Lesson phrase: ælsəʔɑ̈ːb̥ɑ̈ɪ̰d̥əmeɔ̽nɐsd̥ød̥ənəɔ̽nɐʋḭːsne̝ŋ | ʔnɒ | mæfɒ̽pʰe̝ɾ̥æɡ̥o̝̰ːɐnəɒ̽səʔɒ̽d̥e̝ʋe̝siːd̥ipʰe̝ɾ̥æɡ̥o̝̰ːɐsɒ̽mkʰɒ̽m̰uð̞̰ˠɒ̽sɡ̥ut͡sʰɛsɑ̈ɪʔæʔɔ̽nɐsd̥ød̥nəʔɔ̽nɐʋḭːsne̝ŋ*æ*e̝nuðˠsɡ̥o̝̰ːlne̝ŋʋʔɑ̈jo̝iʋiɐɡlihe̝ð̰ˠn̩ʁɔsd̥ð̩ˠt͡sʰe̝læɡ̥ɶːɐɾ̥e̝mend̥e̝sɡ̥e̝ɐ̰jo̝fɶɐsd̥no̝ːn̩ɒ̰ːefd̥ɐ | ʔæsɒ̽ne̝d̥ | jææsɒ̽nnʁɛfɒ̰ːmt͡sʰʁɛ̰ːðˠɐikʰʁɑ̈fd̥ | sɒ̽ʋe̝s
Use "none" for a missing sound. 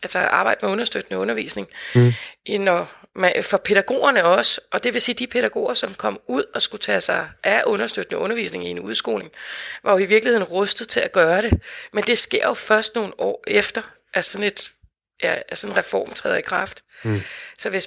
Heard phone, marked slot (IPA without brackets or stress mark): i